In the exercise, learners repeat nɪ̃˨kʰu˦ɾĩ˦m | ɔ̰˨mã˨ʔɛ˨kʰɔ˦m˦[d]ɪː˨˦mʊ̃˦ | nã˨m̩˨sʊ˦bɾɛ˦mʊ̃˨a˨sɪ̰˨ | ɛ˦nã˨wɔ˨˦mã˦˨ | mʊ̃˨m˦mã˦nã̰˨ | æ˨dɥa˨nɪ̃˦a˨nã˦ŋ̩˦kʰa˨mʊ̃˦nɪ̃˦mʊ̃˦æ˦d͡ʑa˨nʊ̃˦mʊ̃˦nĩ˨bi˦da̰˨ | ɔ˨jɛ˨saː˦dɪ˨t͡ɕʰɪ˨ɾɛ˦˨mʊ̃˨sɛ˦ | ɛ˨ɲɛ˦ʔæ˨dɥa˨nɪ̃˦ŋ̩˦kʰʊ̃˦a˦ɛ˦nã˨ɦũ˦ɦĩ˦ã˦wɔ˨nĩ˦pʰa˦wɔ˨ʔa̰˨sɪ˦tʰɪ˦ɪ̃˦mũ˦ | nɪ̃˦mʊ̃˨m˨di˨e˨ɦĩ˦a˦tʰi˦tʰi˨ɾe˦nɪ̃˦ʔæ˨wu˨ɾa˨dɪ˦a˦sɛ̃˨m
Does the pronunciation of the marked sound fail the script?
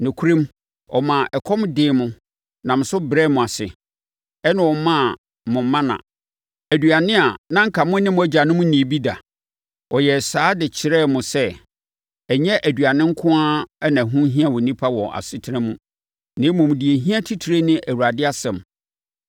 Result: no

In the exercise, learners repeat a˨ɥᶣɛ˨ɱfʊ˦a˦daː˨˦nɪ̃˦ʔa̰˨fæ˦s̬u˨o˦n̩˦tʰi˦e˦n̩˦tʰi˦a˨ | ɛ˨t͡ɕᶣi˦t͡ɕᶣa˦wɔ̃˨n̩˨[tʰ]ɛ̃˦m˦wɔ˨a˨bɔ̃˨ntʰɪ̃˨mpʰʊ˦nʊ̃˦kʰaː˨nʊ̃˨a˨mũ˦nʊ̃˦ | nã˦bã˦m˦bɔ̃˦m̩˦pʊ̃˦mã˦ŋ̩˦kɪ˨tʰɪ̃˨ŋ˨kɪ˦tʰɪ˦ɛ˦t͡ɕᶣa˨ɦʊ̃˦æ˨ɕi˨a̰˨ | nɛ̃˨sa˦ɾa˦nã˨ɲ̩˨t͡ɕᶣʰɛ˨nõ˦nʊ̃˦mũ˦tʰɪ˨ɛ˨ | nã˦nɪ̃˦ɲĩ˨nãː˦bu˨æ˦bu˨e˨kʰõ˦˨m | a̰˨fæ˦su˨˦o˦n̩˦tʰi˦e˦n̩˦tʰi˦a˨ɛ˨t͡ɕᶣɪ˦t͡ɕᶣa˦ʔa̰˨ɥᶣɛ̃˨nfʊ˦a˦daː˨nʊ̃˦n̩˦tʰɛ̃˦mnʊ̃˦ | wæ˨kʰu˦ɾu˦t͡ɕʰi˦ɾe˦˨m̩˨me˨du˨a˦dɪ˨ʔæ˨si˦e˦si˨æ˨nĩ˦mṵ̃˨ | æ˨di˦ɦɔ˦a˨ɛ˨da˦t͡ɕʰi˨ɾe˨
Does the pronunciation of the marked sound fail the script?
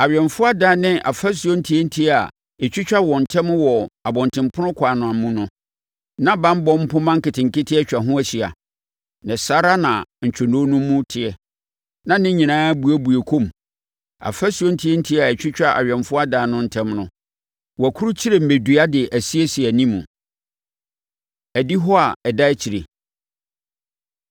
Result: no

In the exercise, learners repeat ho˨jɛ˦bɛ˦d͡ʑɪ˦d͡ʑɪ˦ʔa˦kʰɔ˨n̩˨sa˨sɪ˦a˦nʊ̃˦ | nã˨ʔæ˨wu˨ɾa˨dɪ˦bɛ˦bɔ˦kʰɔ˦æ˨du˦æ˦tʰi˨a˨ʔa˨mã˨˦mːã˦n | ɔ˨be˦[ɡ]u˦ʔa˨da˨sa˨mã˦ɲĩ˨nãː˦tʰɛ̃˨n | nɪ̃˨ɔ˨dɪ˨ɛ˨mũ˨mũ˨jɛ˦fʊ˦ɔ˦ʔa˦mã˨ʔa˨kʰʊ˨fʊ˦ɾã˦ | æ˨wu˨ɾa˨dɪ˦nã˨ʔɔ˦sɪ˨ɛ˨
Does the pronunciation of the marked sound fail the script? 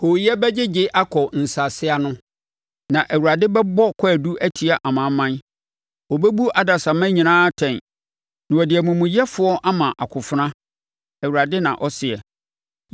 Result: yes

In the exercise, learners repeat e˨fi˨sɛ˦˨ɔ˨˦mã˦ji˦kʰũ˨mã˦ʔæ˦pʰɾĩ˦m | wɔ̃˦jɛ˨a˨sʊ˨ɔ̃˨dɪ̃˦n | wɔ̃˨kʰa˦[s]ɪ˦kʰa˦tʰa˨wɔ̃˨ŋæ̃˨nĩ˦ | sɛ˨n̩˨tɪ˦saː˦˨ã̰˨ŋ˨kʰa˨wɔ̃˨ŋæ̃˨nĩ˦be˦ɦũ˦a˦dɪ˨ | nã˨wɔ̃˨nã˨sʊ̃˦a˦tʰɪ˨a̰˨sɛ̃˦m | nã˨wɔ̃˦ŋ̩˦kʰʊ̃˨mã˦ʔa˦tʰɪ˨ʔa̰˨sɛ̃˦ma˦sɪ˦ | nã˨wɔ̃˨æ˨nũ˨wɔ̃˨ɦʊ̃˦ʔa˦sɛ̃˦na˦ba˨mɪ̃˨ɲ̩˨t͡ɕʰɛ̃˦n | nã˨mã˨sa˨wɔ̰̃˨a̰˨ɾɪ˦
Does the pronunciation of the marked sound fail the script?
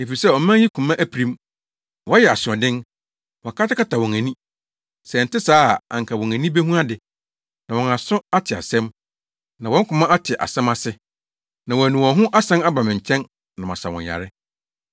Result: yes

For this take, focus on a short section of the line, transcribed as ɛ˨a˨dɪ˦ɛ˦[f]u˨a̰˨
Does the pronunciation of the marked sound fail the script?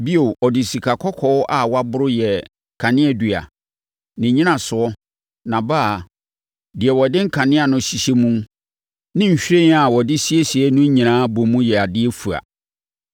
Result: no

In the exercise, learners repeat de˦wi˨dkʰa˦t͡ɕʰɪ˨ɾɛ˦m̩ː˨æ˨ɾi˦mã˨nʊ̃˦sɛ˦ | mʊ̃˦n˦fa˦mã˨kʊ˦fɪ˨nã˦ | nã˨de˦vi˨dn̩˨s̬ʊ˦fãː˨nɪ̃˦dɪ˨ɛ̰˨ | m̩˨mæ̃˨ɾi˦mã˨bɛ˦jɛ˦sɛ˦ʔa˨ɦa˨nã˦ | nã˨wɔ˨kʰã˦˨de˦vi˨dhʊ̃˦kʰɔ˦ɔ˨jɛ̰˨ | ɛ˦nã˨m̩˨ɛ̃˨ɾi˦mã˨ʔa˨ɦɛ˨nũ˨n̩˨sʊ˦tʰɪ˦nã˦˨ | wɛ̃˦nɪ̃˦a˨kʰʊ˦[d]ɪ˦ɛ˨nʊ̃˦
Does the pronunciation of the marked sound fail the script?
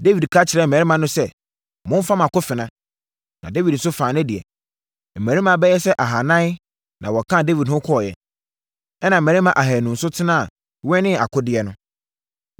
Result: no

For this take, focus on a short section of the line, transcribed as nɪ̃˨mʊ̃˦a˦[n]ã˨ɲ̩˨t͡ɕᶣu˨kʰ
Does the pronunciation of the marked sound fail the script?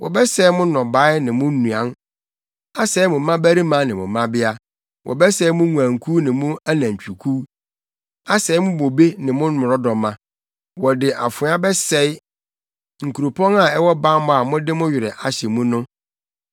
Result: no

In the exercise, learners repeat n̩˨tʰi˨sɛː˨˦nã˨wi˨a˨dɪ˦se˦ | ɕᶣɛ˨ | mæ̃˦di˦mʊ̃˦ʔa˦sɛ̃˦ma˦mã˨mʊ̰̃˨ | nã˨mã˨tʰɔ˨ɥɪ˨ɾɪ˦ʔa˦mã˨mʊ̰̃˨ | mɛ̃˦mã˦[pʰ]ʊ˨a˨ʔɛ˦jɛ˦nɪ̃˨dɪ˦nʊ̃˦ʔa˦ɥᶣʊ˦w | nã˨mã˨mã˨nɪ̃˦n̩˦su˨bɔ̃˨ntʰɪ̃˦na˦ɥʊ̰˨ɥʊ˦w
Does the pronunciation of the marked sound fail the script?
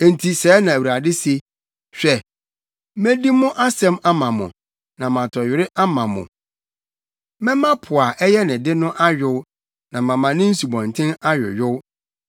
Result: no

